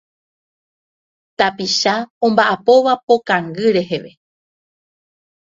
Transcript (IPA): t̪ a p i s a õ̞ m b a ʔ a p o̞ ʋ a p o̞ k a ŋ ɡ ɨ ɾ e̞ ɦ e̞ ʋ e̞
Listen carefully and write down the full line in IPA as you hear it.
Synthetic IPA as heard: t̪ a p i ʃ a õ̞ m b a ʔ a p o̞ ʋ a p o̞ k a ŋ ɡ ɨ ɾ e̞ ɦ e̞ ʋ e̞